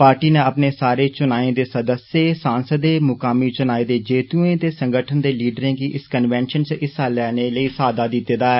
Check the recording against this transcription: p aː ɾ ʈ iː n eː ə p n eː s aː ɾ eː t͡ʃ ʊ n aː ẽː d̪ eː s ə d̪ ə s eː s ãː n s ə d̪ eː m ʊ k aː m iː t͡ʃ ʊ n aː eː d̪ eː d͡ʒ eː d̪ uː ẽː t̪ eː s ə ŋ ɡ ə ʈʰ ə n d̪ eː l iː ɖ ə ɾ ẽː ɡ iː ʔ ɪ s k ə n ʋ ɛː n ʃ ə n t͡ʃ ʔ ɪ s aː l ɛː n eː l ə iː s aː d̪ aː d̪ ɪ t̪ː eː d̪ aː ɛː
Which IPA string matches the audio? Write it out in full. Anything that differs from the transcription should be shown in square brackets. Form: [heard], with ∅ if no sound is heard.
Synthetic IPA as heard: p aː ɾ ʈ iː n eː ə p n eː s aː ɾ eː t͡ʃ ʊ n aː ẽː d̪ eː s ə d̪ ə s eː s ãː n s ə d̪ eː m ʊ k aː m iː t͡ʃ ʊ n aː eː d̪ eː d͡ʒ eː [t̪] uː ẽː t̪ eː s ə ŋ ɡ ə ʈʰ ə n d̪ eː l iː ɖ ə ɾ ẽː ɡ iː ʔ ɪ s k ə n ʋ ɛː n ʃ ə n t͡ʃ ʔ ɪ s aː l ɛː n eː l ə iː s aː d̪ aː d̪ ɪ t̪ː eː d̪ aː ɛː

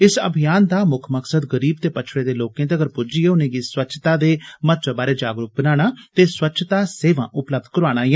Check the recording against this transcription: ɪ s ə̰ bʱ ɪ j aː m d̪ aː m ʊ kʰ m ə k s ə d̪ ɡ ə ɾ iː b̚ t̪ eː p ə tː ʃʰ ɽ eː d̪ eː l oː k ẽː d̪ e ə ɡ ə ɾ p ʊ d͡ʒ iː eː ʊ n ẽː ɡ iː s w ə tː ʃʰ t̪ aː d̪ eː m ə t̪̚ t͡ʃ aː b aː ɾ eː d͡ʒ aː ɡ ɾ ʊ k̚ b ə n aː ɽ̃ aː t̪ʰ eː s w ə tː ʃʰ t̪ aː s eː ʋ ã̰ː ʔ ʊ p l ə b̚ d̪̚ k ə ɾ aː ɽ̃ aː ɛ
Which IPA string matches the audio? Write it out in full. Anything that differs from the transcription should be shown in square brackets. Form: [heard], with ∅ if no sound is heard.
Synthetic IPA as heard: ɪ s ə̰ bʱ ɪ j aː [n] d̪ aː m ʊ kʰ m ə k s ə d̪ ɡ ə ɾ iː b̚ t̪ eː p ə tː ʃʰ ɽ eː d̪ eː l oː k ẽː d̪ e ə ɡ ə ɾ p ʊ d͡ʒ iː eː ʊ n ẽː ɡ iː s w ə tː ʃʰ t̪ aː d̪ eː m ə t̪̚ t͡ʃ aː b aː ɾ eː d͡ʒ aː ɡ ɾ ʊ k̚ b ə n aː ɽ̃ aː [t̪] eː s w ə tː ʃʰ t̪ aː s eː ʋ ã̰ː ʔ ʊ p l ə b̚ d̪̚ k ə ɾ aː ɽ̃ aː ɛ

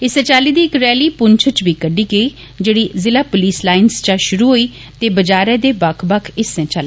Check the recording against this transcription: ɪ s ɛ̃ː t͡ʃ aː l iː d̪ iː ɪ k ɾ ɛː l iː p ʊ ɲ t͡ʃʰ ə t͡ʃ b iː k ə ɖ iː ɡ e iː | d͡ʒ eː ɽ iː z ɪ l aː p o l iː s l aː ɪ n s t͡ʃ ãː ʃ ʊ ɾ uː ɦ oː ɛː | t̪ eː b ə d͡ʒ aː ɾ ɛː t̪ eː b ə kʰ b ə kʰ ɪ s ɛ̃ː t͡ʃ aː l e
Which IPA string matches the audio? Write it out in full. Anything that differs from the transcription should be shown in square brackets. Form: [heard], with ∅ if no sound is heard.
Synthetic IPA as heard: ɪ s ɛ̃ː t͡ʃ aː l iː d̪ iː ɪ k ɾ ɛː l iː p ʊ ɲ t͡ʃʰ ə t͡ʃ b iː k ə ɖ iː ɡ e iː | d͡ʒ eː ɽ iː z ɪ l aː p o l iː s l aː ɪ n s t͡ʃ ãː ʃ ʊ ɾ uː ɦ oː [iː] | t̪ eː b ə d͡ʒ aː ɾ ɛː [d̪] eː b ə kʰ b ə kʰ ɪ s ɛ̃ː t͡ʃ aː l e

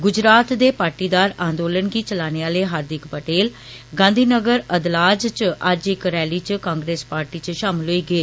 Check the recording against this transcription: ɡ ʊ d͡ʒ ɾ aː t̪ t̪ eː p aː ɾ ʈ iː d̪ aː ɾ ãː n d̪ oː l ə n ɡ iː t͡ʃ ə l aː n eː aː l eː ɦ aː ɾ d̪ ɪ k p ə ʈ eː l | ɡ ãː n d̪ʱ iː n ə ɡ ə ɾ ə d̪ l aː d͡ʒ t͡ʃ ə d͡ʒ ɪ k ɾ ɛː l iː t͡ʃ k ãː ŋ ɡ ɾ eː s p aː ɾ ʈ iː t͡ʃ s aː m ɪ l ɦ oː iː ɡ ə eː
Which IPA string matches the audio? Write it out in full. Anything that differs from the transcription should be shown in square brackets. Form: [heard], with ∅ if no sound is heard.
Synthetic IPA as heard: ɡ ʊ d͡ʒ ɾ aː t̪ [d̪] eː p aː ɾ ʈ iː d̪ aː ɾ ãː n d̪ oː l ə n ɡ iː t͡ʃ ə l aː n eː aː l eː ɦ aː ɾ d̪ ɪ k p ə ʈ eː l | ɡ ãː n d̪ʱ iː n ə ɡ ə ɾ ə d̪ l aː d͡ʒ t͡ʃ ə d͡ʒ ɪ k ɾ ɛː l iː t͡ʃ k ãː ŋ ɡ ɾ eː s p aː ɾ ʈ iː t͡ʃ [ʃ] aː m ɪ l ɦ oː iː ɡ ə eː

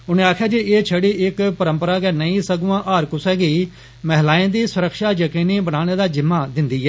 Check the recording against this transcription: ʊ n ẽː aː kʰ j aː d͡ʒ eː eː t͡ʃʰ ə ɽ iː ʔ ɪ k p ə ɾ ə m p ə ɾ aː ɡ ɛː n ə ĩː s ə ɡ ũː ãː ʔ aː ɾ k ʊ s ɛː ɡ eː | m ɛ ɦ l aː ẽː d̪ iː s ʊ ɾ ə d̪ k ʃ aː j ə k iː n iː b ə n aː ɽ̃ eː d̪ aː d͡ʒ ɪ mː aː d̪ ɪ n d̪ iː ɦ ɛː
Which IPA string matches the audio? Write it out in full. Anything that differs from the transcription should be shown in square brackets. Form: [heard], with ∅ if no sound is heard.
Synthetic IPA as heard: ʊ n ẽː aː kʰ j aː d͡ʒ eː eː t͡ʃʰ ə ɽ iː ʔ ɪ k p ə ɾ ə m p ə ɾ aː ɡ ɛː n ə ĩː s ə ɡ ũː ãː ʔ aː ɾ k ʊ s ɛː ɡ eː | m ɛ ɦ l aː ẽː d̪ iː s ʊ ɾ ə [∅] k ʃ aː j ə k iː n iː b ə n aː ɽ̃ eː d̪ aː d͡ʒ ɪ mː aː d̪ ɪ n d̪ iː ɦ ɛː

